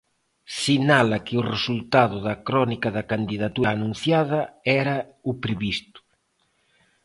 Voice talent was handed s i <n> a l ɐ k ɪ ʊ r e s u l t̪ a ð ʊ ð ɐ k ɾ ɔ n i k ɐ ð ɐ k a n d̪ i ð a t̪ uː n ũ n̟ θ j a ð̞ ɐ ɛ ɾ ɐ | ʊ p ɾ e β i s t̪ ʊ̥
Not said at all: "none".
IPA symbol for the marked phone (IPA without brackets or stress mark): n